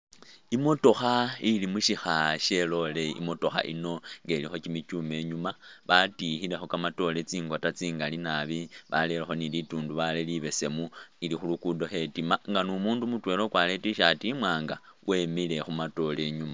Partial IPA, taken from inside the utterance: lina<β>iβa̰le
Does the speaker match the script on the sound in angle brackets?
yes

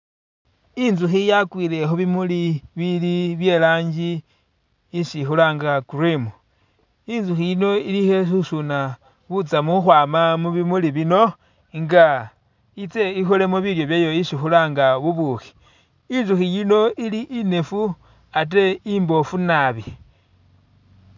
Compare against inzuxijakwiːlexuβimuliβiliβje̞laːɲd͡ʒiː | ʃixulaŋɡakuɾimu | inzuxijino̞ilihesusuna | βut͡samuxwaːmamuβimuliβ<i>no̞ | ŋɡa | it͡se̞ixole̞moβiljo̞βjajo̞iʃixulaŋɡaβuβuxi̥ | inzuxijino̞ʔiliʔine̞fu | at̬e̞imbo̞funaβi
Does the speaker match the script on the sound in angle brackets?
yes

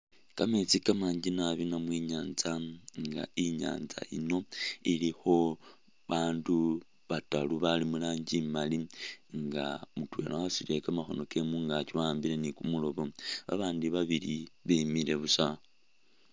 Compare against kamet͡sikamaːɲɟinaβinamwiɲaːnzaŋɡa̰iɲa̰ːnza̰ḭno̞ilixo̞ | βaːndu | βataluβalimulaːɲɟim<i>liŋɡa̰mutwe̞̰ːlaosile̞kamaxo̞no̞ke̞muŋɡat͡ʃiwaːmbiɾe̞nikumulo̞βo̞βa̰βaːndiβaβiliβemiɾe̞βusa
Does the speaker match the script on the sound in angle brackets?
no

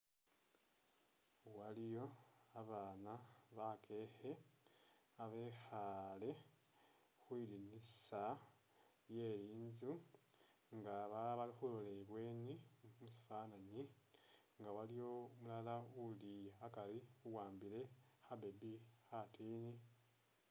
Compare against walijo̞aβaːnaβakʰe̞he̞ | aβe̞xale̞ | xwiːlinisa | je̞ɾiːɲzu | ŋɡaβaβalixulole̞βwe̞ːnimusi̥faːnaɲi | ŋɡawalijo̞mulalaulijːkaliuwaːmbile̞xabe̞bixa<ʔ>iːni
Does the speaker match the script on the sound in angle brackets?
no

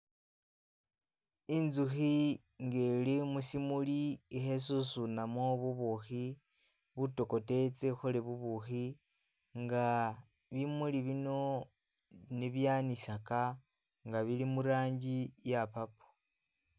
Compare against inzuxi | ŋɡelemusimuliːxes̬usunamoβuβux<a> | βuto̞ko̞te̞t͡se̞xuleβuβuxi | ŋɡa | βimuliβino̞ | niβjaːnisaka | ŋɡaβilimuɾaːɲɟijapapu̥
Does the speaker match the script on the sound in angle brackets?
no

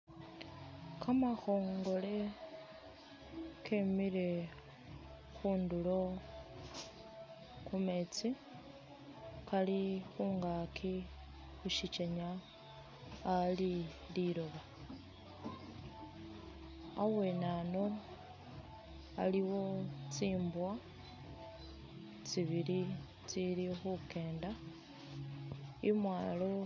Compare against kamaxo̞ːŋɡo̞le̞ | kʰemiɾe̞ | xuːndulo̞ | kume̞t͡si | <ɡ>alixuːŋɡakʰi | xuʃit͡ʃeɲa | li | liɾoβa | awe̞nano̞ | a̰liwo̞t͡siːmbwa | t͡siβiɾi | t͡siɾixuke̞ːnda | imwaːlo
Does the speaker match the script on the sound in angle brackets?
no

